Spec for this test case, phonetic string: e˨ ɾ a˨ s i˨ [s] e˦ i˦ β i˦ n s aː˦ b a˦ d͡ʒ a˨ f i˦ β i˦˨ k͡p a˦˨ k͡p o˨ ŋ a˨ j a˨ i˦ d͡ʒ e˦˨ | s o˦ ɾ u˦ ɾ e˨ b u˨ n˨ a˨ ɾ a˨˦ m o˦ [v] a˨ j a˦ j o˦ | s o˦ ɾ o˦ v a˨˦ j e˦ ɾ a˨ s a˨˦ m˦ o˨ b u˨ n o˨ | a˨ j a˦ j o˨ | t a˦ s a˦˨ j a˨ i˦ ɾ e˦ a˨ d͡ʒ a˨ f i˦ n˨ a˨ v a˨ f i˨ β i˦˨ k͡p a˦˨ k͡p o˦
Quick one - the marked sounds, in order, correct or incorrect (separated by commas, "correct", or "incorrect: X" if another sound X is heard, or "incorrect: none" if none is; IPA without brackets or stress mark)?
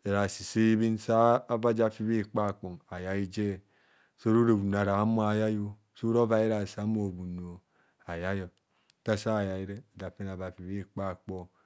correct, incorrect: none